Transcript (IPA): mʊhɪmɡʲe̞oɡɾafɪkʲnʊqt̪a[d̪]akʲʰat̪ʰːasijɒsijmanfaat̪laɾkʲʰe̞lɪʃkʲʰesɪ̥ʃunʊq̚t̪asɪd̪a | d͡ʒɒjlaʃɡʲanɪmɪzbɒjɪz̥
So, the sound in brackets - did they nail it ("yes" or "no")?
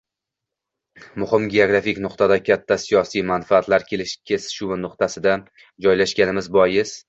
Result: yes